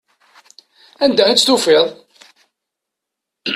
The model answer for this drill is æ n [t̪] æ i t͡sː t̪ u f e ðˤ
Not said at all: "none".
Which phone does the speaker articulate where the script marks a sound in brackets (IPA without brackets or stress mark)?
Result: d̪